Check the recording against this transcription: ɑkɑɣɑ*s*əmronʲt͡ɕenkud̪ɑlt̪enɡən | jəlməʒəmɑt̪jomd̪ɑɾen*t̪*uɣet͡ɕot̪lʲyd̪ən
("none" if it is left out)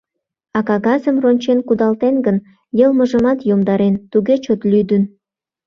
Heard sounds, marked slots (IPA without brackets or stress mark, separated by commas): z, t̪